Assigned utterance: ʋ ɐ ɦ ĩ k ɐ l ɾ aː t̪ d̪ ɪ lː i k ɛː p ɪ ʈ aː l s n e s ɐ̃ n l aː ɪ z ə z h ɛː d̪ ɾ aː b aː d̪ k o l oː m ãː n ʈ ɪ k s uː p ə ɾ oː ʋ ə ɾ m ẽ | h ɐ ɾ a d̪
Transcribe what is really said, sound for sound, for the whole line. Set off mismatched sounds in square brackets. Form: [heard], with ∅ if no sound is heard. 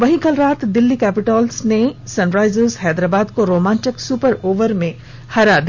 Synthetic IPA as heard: ʋ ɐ ɦ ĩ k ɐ l ɾ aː t̪ d̪ ɪ lː i k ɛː p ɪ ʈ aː l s n e s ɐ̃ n [ɾ] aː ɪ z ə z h ɛː d̪ ɾ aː b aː d̪ k o [ɾ] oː m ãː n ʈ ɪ k s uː p ə ɾ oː ʋ ə ɾ m ẽ | h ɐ ɾ a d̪